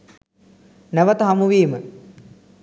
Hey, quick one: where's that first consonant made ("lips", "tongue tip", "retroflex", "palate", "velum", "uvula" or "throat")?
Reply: tongue tip